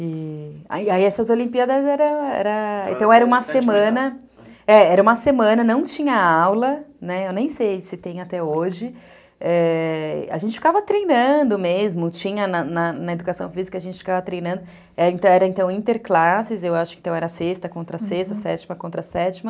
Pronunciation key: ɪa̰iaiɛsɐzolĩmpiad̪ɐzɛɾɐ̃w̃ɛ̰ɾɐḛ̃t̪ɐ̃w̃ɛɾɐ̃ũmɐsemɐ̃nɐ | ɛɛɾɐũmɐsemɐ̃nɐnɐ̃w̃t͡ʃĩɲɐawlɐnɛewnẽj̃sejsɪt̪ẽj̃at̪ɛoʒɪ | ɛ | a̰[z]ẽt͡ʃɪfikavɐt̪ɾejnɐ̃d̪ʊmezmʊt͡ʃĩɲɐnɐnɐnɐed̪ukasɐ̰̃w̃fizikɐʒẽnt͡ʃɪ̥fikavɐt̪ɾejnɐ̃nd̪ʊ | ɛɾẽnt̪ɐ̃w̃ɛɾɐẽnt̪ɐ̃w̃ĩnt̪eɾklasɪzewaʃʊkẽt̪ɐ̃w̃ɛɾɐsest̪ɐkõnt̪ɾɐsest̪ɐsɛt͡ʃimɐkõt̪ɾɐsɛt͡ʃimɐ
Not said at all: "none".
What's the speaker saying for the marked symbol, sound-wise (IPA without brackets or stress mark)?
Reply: ʒ